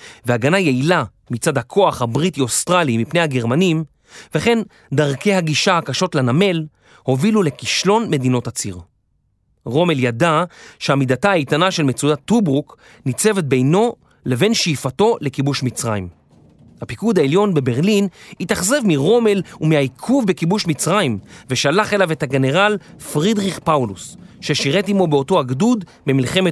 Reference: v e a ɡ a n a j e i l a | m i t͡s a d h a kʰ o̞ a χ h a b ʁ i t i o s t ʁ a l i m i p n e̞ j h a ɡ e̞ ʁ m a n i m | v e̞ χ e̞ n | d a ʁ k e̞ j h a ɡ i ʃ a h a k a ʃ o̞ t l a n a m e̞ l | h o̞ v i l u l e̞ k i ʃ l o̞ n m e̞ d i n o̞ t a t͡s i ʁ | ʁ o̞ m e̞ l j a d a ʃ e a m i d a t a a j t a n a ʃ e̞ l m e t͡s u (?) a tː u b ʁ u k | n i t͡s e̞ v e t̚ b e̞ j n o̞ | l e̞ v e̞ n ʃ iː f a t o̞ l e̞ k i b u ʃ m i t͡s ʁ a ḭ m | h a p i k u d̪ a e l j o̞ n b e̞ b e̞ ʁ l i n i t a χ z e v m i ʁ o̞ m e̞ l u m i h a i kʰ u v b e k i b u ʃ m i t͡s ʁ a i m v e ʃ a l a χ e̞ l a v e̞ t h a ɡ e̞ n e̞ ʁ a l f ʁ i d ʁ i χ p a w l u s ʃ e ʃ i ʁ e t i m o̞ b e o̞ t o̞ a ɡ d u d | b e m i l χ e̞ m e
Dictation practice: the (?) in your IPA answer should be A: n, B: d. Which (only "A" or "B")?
B